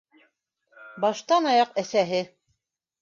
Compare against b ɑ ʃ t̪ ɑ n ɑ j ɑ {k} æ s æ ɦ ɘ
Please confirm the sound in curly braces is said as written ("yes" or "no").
no